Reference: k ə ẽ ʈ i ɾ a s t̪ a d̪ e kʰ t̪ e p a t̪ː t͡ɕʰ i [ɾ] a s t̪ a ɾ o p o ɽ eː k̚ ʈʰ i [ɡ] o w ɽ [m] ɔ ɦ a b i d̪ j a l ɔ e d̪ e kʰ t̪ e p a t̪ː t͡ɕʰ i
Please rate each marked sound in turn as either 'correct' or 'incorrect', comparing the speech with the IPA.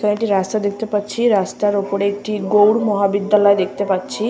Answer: correct, correct, correct

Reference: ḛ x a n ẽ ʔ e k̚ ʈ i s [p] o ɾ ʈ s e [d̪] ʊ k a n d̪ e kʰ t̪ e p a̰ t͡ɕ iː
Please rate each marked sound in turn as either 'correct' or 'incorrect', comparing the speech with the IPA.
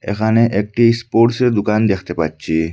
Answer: correct, correct

